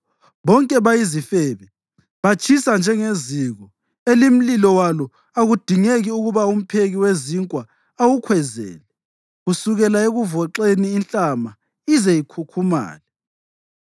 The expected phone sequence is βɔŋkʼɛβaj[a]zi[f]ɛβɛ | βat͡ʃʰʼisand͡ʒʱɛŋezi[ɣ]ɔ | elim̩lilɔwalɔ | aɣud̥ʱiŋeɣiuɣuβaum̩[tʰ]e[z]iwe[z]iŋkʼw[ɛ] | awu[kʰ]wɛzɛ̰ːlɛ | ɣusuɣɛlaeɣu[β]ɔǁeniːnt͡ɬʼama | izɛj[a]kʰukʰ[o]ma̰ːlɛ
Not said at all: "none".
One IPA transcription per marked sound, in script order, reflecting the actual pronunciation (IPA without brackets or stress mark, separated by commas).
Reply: i, f, ɣ, pʰ, ɣ, z, a, kʰ, v, i, u